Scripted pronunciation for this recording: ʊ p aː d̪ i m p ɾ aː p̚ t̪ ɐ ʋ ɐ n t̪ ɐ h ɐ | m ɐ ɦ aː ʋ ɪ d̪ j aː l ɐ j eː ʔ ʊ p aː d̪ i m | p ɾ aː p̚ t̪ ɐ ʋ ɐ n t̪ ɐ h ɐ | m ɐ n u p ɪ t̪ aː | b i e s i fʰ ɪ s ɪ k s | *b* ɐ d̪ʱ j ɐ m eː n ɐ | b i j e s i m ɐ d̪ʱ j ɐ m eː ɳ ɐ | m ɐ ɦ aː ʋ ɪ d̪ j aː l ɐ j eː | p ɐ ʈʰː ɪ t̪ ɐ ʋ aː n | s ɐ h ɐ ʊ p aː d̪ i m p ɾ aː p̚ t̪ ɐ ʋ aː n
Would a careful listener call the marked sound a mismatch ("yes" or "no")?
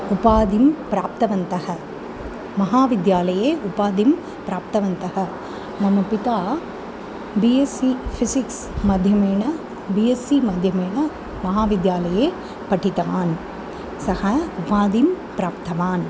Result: yes